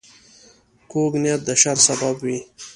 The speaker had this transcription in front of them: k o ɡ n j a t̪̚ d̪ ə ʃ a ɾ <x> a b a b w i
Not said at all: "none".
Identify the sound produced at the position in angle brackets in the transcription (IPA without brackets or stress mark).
s